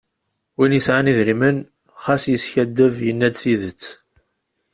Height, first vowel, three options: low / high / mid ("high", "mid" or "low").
high